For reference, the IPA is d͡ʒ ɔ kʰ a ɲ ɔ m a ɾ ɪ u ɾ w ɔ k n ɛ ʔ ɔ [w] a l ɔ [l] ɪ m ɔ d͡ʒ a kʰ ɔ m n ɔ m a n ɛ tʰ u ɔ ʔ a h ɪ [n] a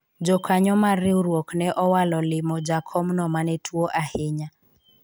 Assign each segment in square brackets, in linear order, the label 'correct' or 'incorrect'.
correct, correct, incorrect

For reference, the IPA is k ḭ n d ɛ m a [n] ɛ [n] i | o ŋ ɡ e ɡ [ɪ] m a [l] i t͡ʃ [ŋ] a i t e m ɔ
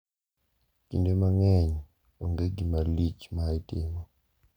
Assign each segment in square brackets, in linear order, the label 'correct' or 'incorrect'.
incorrect, incorrect, incorrect, correct, incorrect

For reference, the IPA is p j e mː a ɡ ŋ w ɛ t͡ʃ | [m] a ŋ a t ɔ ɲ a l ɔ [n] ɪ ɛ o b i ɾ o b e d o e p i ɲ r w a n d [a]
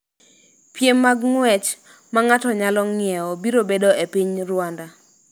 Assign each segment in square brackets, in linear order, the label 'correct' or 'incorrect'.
correct, incorrect, correct

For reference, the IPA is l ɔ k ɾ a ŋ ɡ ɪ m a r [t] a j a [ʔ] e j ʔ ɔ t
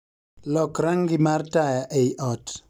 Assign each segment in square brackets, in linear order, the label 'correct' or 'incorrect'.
correct, correct

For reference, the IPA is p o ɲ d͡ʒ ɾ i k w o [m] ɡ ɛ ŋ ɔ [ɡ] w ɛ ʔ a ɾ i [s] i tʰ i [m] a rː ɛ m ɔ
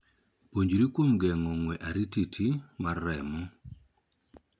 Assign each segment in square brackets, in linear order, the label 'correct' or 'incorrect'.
correct, incorrect, incorrect, correct

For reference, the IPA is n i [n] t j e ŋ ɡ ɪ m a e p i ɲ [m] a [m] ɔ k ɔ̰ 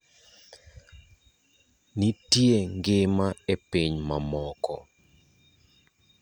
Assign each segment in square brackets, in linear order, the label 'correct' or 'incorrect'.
incorrect, correct, correct

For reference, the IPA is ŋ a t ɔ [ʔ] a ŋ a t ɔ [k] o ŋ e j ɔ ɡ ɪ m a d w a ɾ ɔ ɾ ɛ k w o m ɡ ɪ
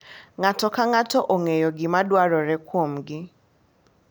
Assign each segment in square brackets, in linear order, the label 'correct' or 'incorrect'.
incorrect, incorrect

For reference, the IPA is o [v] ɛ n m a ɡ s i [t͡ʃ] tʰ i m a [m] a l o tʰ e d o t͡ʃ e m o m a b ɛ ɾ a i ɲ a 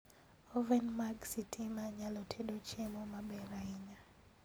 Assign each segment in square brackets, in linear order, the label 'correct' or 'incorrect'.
correct, incorrect, incorrect

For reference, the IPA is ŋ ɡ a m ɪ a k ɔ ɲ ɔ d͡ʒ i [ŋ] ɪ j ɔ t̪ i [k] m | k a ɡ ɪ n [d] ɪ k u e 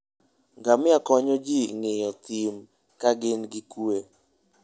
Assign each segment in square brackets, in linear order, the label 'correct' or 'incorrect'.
correct, incorrect, incorrect

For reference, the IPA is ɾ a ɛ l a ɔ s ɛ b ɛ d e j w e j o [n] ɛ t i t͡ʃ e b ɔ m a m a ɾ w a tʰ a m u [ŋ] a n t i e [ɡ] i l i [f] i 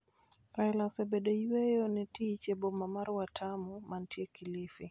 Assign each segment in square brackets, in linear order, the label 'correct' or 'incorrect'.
correct, incorrect, incorrect, correct

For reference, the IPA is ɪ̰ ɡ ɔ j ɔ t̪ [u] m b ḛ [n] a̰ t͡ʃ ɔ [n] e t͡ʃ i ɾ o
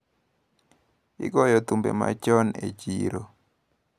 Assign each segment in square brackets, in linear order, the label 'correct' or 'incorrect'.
correct, incorrect, correct

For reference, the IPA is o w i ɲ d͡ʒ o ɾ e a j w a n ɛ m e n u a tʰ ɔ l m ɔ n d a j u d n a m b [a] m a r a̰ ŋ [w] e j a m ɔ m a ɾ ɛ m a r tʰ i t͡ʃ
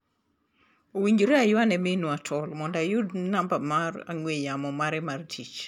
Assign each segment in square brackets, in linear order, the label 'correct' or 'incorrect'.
correct, correct

